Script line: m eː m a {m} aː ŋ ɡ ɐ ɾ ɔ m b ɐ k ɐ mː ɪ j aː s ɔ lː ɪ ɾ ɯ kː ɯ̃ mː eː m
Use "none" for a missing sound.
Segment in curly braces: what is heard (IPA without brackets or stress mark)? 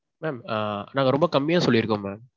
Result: n